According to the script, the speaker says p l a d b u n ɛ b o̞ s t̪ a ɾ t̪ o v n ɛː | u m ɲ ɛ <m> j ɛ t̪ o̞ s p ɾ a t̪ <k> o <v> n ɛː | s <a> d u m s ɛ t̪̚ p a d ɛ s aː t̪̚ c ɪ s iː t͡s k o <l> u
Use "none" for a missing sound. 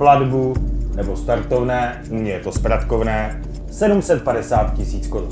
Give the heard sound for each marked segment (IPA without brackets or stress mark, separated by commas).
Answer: none, k, v, ɛ, ɾ